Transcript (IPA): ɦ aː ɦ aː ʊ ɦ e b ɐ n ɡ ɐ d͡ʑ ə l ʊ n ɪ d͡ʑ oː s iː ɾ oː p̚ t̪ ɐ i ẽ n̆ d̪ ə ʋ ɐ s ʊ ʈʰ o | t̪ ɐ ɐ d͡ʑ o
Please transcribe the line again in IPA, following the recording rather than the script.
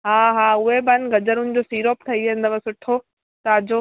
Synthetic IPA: ɦ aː ɦ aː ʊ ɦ e b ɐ n ɡ ɐ d͡ʑ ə ɾ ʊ n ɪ d͡ʑ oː s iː ɾ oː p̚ t̪ʰ ɐ i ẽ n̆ d̪ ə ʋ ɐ s ʊ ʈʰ o | t̪ ɐ ɐ d͡ʑ o

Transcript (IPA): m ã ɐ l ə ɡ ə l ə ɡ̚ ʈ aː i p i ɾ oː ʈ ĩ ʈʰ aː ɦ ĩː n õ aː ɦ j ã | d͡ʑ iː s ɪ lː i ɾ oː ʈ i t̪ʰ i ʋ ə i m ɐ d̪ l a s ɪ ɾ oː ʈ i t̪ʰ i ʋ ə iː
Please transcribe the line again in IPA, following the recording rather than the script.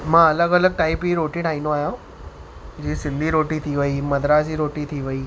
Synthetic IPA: m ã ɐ l ə ɡ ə l ə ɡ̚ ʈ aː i p i ɾ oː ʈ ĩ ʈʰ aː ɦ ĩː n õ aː ɦ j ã | d͡ʑ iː s ɪ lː i ɾ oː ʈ i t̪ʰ i ʋ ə i m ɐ d̪ ɾ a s i ɾ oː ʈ i t̪ʰ i ʋ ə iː

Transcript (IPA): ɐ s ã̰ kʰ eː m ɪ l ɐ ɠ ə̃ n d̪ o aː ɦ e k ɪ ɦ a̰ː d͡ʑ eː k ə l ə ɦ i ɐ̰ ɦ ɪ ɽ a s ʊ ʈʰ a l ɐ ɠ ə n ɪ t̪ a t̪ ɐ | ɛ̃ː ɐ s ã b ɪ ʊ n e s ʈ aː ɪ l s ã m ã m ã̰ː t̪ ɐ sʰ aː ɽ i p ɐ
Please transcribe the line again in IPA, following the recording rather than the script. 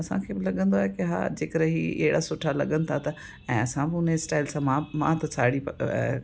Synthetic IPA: ɐ s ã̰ kʰ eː b ɪ l ɐ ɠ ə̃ n d̪ o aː ɦ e k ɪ ɦ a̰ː d͡ʑ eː k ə ɾ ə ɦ i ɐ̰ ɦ ɪ ɽ a s ʊ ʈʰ a l ɐ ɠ ə n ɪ t̪ʰ a t̪ ɐ | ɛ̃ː ɐ s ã b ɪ ʊ n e s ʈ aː ɪ l s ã m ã m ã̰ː t̪ ɐ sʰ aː ɽ i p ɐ

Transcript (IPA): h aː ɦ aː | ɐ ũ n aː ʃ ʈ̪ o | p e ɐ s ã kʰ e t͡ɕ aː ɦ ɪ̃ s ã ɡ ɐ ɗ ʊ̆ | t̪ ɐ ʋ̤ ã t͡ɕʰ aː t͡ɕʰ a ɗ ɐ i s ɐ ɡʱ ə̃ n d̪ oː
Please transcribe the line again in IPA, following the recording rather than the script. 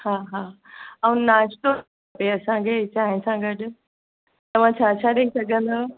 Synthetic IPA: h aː ɦ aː | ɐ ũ n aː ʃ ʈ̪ o | p e ɐ s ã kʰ e t͡ɕ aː ɦ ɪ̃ s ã ɡ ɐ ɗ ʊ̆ | t̪ ɐ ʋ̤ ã t͡ɕʰ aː t͡ɕʰ a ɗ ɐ i s ɐ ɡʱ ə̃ n d̪ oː

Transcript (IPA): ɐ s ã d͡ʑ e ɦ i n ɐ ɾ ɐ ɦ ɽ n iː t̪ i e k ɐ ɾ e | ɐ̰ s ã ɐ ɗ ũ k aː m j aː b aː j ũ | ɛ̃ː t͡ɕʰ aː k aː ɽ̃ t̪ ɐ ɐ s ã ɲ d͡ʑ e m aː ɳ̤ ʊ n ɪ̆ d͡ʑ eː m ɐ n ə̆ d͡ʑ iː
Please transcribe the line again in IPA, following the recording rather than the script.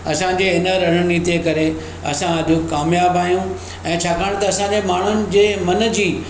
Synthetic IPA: ɐ s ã d͡ʑ e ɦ ɪ n ə ɾ ɐ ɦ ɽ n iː t̪ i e k ɐ ɾ e | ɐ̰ s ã ɐ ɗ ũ k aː m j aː b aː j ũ | ɛ̃ː t͡ɕʰ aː k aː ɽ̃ t̪ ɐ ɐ s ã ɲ d͡ʑ e m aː ɳ̤ ʊ n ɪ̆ d͡ʑ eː m ɐ n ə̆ d͡ʑ iː

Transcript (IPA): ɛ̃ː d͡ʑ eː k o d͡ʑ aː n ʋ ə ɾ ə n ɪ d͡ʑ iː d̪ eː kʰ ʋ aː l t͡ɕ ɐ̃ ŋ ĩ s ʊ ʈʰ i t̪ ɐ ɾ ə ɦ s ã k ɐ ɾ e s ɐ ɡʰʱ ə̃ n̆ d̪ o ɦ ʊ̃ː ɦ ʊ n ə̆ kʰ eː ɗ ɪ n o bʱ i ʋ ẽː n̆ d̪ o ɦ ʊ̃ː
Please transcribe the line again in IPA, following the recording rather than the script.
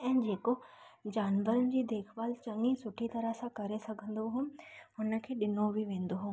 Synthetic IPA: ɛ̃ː d͡ʑ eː k o d͡ʑ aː n ʋ ə ɾ ə n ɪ d͡ʑ iː d̪ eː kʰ ʋ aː l t͡ɕ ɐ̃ ŋ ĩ s ʊ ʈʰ i t̪ ɐ ɾ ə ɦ s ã k ɐ ɾ e s ɐ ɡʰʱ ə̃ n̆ d̪ o ɦ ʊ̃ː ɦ ʊ n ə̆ kʰ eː ɗ ɪ n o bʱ i ʋ ẽː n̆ d̪ o ɦ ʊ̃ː

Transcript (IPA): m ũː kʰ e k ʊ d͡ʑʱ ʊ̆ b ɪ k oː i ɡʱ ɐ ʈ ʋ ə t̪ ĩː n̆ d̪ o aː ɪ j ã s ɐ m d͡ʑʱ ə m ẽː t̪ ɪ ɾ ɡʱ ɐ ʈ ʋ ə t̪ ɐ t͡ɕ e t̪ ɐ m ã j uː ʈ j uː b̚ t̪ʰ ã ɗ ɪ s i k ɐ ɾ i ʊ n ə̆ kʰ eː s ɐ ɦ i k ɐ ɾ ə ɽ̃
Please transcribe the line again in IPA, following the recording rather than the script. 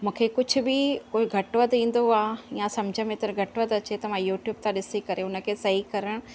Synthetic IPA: m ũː kʰ e k ʊ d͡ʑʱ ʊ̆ b ɪ k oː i ɡʱ ɐ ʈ ʋ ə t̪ ĩː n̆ d̪ o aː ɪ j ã s ɐ m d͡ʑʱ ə m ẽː t̪ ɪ ɾ ɡʱ ɐ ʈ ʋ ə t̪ ɐ t͡ɕ e t̪ ɐ m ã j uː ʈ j uː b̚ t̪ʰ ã ɗ ɪ s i k ɐ ɾ e ʊ n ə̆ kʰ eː s ɐ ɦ i k ɐ ɾ ə ɽ̃

